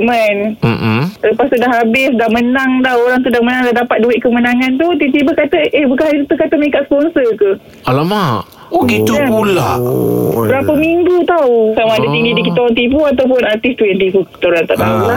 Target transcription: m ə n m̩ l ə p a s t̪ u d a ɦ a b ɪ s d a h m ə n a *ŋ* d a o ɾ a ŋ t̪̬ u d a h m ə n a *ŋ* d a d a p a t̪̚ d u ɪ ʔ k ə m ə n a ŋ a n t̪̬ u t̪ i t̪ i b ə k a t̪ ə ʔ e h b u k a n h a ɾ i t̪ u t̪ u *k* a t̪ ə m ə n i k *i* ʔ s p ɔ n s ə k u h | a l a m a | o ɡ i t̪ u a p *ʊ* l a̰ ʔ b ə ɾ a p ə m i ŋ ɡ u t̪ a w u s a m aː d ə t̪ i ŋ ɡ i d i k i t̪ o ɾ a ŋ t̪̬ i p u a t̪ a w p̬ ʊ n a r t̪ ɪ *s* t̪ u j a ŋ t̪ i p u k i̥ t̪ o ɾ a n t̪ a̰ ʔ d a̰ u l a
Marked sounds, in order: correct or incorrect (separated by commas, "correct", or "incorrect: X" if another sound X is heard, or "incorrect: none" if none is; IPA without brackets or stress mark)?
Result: correct, correct, correct, incorrect: a, incorrect: u, correct